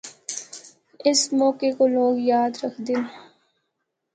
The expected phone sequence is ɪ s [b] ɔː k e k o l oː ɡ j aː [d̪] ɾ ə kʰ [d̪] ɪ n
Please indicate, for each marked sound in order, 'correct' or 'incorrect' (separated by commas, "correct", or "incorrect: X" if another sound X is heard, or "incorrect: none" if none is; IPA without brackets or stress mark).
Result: incorrect: m, correct, correct